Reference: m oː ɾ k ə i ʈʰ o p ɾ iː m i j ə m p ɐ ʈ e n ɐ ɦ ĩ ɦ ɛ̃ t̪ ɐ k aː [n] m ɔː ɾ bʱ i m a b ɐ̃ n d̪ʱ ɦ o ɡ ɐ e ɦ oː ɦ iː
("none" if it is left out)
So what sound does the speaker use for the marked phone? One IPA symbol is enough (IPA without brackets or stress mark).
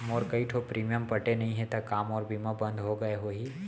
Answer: none